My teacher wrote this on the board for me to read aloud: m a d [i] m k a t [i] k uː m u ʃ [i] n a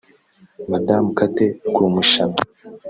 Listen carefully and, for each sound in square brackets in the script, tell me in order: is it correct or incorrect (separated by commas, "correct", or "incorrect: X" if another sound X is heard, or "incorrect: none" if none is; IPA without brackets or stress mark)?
incorrect: a, incorrect: e, incorrect: a